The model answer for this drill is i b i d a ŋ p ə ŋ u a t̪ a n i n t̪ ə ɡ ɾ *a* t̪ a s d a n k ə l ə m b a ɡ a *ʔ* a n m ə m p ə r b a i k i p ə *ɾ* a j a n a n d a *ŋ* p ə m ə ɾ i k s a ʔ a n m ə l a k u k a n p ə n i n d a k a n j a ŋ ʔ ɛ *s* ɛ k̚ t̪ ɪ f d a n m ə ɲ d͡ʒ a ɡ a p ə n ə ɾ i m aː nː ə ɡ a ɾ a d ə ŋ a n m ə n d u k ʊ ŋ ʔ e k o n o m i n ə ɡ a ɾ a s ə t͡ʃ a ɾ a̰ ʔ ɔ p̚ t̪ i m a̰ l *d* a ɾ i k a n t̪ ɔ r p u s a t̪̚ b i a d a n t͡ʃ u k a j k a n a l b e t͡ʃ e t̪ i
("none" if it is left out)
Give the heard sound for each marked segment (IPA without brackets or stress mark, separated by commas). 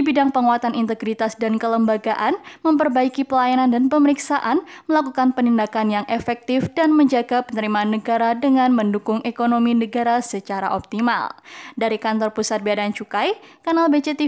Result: i, ʔ, l, n, f, d